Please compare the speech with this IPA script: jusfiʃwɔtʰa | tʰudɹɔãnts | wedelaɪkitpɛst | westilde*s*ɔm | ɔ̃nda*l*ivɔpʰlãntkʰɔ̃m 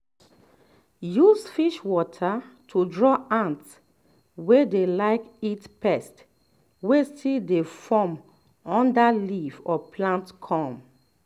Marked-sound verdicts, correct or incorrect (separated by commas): incorrect, correct